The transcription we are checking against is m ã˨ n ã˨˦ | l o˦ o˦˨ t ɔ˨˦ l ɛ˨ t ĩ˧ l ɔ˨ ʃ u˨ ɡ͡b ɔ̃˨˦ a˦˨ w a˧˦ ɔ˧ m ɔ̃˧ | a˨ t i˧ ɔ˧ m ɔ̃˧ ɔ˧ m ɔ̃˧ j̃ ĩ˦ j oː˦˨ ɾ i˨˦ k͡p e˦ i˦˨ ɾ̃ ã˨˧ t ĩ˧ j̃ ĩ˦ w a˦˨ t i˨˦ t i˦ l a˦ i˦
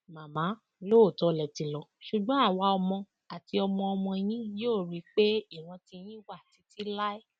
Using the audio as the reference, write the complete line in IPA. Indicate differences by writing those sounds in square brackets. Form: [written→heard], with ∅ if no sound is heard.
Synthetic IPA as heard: m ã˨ [n→m] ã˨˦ | l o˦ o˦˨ t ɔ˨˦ l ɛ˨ t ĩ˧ l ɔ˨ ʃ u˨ ɡ͡b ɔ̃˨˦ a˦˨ w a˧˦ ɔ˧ m ɔ̃˧ | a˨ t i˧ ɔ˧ m ɔ̃˧ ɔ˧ m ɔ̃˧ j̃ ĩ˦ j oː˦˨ ɾ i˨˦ k͡p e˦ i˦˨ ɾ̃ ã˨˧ t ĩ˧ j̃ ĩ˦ w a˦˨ t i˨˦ t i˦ l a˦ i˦